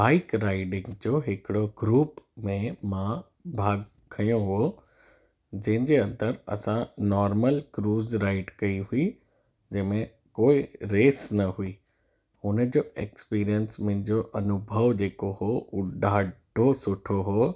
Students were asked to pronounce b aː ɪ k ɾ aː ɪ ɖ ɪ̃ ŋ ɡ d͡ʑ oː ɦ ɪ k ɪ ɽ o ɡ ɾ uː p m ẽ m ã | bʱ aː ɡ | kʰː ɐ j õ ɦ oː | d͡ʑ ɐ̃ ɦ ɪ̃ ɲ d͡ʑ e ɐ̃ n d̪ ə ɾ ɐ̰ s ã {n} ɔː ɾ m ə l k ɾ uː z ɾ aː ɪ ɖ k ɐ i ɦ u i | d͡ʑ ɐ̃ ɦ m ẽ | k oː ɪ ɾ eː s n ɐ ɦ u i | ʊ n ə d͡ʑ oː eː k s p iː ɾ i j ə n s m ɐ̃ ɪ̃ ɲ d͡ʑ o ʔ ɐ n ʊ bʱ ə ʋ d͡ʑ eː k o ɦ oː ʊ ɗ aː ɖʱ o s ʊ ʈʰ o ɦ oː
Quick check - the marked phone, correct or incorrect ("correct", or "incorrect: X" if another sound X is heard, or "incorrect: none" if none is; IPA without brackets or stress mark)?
correct